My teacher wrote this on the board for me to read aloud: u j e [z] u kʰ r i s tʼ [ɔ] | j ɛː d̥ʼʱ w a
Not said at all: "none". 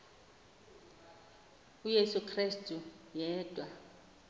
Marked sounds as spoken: s, u

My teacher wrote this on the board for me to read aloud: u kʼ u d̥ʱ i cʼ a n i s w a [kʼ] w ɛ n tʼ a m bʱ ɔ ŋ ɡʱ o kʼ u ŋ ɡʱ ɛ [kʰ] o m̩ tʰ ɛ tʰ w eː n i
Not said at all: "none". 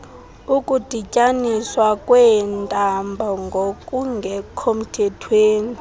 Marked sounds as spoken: kʼ, kʰ

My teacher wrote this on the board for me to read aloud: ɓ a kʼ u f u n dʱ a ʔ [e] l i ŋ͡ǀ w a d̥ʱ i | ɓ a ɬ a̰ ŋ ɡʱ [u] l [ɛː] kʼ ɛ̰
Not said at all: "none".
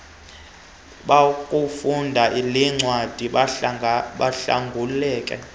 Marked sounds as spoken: i, u, ɛː

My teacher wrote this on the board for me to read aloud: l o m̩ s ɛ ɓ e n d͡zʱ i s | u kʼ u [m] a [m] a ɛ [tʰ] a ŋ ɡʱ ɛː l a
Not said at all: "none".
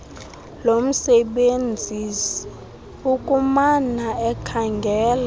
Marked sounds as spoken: m, n, kʰ

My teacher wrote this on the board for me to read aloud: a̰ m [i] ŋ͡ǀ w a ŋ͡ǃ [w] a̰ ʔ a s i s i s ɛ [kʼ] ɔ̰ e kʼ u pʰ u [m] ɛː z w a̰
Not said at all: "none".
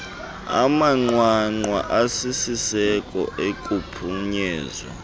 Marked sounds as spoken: a, w, kʼ, ɲ

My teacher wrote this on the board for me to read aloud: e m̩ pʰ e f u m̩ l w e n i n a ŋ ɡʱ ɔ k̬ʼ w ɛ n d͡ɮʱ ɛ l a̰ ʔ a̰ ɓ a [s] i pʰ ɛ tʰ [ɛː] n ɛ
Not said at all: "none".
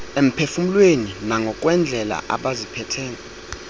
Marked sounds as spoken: z, ɛː

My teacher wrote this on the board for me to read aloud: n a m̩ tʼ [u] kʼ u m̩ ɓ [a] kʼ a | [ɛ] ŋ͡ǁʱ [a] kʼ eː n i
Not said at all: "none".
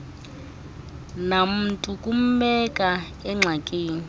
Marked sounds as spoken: u, ɛ, ɛ, a

